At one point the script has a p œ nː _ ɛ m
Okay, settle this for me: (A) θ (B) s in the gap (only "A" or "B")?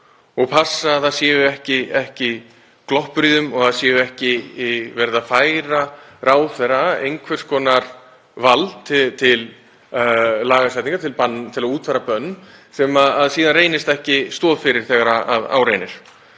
B